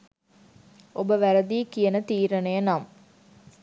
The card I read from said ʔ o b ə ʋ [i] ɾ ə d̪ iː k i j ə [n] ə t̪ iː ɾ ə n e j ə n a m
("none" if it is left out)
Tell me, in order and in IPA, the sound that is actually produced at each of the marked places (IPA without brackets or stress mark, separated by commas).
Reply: æ, n